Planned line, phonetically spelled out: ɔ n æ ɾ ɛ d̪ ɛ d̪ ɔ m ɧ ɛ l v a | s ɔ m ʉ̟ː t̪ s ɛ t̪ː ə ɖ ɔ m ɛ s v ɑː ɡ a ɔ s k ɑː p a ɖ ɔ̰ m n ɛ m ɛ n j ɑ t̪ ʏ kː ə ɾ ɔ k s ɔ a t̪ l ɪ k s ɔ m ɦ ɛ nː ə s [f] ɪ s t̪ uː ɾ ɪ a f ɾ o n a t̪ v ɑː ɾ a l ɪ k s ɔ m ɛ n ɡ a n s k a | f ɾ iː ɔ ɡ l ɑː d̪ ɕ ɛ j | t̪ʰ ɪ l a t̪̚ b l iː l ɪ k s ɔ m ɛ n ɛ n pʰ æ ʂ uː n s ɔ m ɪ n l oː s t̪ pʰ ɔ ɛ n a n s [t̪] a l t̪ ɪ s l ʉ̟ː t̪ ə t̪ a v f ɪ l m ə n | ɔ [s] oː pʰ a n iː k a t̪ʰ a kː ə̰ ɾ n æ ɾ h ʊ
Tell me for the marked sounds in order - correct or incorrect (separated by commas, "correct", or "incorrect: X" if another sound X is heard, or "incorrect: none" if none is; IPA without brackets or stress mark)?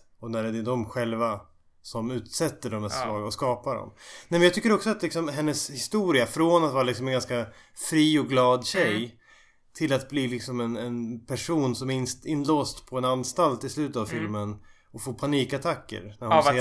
incorrect: h, correct, incorrect: f